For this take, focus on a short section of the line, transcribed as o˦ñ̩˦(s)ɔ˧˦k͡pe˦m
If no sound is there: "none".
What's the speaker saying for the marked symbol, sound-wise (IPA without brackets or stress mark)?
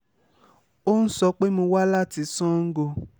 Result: s